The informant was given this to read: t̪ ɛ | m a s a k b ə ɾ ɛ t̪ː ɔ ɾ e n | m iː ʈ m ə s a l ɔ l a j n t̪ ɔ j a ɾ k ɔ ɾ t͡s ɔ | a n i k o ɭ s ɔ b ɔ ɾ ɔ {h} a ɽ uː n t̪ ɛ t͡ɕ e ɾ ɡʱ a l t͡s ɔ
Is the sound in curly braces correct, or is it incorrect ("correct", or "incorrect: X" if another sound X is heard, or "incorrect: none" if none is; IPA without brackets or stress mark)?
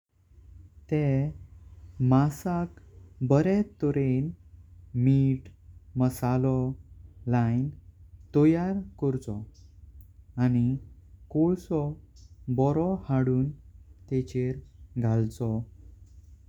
correct